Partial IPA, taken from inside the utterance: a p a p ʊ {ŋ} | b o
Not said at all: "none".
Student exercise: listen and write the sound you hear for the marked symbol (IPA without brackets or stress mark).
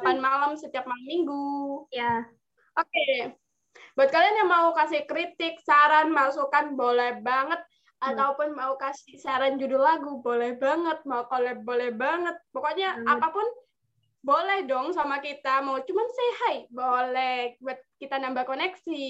n